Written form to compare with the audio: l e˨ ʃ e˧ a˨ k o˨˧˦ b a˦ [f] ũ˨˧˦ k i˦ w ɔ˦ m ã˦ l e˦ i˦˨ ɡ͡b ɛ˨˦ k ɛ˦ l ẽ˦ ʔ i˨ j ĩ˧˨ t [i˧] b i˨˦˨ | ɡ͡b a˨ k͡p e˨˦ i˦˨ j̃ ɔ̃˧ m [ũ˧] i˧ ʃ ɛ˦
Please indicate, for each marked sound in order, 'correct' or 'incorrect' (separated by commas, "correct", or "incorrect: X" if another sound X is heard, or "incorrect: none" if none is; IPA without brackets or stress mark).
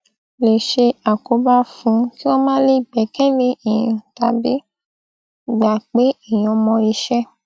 correct, incorrect: a˧, incorrect: ɔ̃˧